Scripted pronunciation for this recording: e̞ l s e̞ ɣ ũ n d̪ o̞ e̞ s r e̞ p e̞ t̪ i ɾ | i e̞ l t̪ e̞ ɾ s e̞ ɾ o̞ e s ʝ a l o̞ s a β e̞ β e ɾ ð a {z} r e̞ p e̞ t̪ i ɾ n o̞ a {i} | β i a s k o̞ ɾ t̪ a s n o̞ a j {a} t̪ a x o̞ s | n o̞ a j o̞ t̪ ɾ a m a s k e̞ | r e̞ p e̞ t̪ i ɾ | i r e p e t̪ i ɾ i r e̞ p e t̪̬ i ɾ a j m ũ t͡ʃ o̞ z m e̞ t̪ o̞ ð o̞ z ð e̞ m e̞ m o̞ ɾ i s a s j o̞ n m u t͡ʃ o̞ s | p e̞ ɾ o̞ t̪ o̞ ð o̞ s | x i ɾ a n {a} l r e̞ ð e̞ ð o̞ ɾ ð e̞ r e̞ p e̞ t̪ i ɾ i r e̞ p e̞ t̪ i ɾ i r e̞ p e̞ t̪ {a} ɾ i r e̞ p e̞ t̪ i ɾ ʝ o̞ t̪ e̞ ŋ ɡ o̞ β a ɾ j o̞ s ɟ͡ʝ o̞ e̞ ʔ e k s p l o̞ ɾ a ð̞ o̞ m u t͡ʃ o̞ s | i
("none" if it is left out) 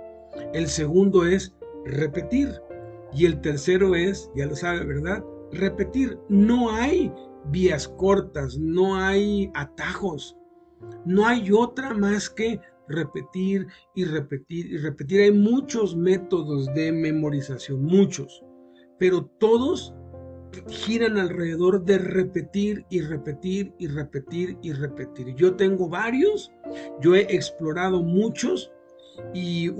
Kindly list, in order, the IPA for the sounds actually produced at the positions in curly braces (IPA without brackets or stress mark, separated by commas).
ð, j, a, a, i